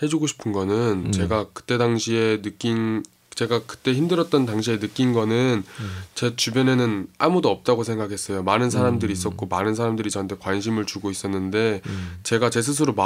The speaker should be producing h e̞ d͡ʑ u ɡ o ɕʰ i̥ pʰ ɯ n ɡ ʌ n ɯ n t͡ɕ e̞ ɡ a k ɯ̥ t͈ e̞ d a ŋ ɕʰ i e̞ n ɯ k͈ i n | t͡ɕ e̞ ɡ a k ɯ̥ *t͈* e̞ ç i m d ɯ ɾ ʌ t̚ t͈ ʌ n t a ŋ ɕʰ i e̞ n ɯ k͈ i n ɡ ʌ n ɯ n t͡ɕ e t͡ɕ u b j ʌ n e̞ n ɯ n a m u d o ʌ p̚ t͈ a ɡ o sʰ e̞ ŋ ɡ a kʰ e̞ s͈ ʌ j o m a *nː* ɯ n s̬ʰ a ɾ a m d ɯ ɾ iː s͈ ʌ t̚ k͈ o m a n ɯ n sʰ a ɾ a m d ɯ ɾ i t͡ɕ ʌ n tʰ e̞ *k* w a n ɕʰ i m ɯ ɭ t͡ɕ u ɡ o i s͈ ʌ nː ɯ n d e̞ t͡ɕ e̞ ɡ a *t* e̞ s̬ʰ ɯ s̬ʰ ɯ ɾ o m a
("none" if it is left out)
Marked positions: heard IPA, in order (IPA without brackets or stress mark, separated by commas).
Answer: t͈, n, k, t͡ɕ